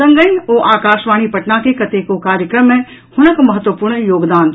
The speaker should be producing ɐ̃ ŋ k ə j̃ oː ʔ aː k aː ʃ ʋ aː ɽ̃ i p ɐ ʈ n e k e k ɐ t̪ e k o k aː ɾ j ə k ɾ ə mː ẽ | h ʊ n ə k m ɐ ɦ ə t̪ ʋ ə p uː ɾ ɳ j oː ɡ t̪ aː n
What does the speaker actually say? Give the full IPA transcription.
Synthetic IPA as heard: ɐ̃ ŋ ɡ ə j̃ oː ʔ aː k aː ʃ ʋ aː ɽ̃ i p ɐ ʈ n a k e k ɐ t̪ e k o k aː ɾ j ə k ɾ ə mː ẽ | h ʊ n ə k m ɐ ɦ ə t̪ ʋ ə p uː ɾ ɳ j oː ɡ d̪ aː n